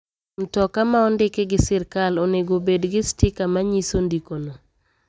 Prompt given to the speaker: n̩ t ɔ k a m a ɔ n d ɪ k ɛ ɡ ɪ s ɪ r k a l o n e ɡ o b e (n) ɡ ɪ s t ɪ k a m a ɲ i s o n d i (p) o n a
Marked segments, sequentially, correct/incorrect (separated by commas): incorrect, incorrect